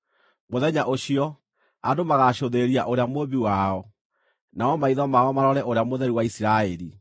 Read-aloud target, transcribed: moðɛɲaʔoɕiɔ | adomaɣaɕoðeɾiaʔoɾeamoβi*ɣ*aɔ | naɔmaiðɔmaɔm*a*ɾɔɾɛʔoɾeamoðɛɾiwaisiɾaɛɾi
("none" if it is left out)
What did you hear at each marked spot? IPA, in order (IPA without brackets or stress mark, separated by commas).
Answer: w, a